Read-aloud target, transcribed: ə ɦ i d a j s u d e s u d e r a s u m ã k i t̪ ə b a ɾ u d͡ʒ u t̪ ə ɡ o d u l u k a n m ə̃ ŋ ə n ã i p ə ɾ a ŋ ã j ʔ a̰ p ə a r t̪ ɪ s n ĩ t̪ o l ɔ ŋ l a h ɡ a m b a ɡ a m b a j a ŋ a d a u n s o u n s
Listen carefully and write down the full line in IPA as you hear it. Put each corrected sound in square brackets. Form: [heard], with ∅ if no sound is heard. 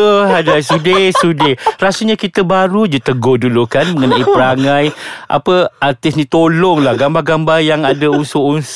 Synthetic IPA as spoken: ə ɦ [a] d a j s u d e s u d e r a s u [ɲ] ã k i t̪ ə b a ɾ u d͡ʒ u t̪ ə ɡ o d u l u k a n m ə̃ ŋ ə n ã i p ə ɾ a ŋ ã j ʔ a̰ p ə a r t̪ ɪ s n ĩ t̪ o l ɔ ŋ l a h ɡ a m b a ɡ a m b a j a ŋ a d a u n s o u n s